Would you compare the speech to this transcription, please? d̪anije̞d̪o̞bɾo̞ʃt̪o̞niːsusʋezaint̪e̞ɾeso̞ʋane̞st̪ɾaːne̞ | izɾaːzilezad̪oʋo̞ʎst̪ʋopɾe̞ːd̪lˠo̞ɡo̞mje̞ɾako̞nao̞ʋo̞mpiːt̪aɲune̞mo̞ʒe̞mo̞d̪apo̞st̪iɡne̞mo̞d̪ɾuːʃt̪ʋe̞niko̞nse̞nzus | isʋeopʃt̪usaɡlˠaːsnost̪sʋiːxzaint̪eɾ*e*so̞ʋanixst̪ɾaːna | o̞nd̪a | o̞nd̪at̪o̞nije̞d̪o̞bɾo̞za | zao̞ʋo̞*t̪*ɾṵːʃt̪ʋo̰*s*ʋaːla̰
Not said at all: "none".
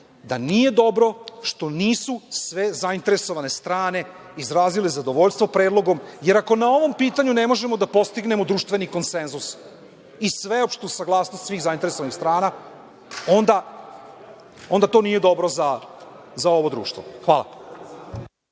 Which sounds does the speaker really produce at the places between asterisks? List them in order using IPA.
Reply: e, d̪, x

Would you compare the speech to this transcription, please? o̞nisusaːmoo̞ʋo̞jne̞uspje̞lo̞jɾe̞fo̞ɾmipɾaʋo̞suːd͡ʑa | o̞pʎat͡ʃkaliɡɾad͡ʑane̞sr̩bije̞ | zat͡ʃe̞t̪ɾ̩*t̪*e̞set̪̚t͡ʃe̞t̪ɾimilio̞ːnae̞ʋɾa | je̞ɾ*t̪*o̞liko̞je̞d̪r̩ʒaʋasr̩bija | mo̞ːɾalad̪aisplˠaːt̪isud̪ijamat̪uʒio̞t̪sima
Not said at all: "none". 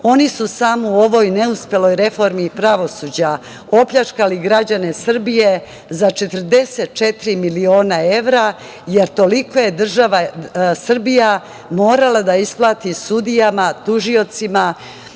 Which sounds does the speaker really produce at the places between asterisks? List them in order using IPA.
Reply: d̪, t̪

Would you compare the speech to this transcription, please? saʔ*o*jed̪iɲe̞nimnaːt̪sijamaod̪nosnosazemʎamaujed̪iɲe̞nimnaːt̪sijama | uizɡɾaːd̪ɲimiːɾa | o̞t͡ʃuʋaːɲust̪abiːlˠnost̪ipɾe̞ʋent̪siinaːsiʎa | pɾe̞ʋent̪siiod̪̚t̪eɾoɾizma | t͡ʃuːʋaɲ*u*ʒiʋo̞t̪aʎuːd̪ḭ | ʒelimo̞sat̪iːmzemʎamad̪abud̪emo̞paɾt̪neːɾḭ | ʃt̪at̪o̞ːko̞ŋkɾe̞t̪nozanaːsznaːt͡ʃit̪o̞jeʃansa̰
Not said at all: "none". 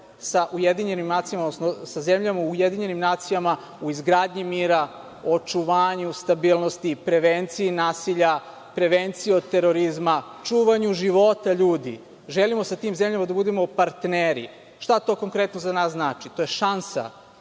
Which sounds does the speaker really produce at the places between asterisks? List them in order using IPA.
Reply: u, u

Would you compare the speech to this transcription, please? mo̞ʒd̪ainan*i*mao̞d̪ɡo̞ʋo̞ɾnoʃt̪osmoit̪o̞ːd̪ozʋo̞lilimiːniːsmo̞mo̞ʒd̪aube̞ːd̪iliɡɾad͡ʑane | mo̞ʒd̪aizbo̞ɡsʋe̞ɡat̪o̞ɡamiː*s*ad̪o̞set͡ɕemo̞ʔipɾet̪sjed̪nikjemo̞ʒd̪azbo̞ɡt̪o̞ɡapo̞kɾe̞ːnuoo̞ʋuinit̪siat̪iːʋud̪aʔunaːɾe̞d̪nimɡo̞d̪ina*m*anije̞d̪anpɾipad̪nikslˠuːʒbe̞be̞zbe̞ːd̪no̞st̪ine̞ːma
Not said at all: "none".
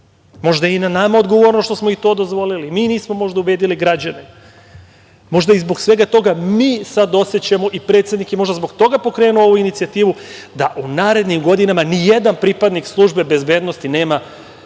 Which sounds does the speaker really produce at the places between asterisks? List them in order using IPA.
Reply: a, s, m

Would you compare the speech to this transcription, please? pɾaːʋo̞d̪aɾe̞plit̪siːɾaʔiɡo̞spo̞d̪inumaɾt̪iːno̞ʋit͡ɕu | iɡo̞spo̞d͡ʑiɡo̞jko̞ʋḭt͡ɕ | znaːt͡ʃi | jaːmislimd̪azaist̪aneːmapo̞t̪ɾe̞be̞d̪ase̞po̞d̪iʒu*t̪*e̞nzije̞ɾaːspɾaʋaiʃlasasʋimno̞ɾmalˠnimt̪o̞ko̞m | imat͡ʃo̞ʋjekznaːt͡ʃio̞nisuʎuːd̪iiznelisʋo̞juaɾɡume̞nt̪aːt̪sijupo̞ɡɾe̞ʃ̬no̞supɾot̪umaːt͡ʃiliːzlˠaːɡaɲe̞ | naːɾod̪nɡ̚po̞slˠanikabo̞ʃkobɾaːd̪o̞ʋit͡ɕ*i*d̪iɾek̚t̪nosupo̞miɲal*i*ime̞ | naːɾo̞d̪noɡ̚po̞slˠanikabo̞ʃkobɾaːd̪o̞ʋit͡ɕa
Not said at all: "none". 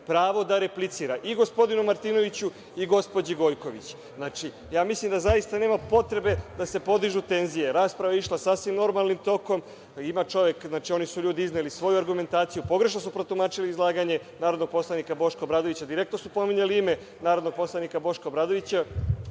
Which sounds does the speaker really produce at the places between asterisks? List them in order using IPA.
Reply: t̪, a, i

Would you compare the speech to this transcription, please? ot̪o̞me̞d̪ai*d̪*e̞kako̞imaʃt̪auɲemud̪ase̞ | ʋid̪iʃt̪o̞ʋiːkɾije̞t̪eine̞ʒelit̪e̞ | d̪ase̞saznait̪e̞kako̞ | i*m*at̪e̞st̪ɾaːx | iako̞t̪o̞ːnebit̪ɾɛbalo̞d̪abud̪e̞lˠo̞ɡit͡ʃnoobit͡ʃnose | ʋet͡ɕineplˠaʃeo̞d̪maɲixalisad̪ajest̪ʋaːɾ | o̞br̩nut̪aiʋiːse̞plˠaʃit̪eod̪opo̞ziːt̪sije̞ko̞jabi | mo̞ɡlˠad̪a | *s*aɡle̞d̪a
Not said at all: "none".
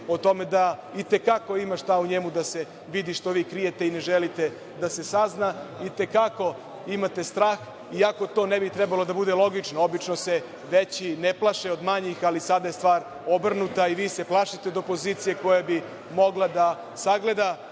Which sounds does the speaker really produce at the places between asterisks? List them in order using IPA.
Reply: t̪, m, s

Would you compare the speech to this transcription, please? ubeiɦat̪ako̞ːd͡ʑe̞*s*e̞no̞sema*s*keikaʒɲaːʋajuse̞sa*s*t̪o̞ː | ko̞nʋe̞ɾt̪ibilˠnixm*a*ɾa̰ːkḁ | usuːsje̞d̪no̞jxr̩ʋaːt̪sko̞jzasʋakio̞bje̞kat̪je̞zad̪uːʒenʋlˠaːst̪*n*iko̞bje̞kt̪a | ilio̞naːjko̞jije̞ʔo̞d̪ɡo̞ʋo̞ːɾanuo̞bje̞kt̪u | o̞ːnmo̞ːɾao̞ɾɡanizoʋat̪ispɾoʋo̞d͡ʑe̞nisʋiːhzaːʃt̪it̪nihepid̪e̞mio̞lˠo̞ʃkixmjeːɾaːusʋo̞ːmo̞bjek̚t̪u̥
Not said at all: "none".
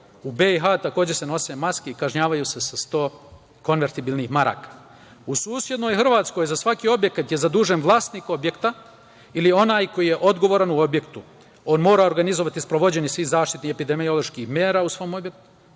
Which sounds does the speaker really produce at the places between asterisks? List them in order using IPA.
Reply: s, s, s, a, n

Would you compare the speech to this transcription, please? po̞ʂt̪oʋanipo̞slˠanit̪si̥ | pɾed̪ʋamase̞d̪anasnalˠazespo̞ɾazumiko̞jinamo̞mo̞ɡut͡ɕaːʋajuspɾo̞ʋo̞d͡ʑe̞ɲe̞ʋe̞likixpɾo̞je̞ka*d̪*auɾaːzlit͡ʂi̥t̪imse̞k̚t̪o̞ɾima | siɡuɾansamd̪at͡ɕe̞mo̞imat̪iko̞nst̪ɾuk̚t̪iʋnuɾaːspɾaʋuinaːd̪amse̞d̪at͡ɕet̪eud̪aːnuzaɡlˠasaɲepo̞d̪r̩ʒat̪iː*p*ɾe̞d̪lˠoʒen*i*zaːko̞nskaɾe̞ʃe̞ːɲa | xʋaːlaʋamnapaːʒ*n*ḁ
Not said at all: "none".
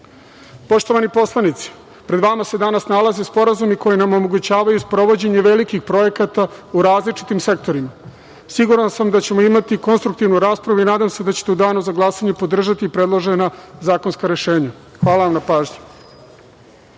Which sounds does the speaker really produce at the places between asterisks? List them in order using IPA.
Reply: t̪, p, a, ɲ

